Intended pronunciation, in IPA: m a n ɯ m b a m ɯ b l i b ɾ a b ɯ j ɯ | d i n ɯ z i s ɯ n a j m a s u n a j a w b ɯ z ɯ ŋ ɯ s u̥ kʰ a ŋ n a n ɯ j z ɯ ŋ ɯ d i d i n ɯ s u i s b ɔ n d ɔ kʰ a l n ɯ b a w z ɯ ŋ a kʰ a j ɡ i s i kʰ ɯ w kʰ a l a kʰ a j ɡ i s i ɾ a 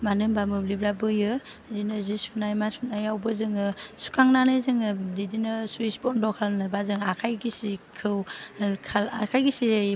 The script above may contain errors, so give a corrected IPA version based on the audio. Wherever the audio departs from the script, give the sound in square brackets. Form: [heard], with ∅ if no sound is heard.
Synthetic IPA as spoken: m a n ɯ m b a m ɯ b l i b ɾ a b ɯ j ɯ | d i n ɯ z i s [u] n a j m a s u n a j a w b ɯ z ɯ ŋ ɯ s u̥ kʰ a ŋ n a n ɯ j z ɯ ŋ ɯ d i d i n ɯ s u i s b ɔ n d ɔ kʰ a l n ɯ b a [∅] z ɯ ŋ a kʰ a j ɡ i s i kʰ ɯ w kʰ a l a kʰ a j ɡ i s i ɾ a